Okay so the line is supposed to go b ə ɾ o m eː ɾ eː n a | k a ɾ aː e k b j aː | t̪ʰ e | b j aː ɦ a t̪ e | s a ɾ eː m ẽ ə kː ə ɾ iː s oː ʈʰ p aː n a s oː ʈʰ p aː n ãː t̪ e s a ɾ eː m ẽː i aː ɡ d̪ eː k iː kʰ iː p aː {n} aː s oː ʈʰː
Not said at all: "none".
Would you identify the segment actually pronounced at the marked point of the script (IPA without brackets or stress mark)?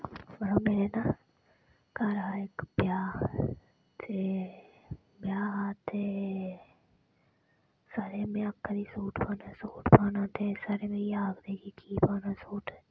n